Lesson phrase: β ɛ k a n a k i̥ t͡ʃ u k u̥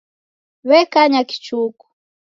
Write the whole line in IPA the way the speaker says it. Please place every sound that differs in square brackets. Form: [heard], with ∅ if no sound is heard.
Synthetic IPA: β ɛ k a [ɲ] a k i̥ t͡ʃ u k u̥